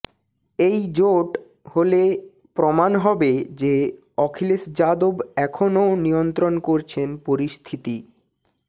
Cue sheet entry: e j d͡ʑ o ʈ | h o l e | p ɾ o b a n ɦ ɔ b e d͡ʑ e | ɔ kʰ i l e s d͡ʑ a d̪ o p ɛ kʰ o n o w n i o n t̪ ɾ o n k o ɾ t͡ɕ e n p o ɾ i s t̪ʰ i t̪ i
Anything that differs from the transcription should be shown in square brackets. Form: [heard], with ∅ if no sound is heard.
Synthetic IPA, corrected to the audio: e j d͡ʑ o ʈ | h o l e | p ɾ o [m] a n ɦ ɔ b e d͡ʑ e | ɔ kʰ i l e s d͡ʑ a d̪ o [b] ɛ kʰ o n o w n i o n t̪ ɾ o n k o ɾ [t͡ɕʰ] e n p o ɾ i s t̪ʰ i t̪ i